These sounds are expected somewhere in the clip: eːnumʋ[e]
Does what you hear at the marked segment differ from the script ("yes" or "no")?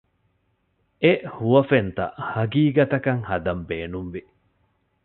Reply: yes